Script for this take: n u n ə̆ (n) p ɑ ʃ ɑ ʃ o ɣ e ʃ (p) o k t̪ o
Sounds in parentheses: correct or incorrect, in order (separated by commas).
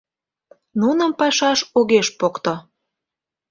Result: incorrect, correct